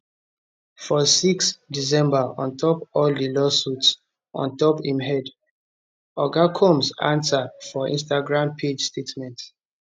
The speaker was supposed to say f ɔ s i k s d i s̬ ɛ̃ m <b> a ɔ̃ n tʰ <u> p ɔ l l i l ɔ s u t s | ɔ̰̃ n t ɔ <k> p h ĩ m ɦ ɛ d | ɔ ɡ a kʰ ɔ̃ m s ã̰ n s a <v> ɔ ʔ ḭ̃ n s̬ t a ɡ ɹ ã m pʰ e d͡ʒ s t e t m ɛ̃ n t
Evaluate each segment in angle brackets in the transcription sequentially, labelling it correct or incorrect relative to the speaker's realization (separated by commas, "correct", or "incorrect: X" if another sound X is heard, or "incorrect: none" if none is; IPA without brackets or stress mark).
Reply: correct, incorrect: ɔ, incorrect: none, incorrect: f